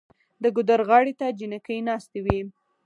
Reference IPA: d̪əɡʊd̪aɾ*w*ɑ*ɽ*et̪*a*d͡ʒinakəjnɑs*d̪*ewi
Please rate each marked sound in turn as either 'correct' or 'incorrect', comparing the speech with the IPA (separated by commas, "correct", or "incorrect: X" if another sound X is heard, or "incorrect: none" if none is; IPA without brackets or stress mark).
incorrect: ɣ, correct, correct, incorrect: t̪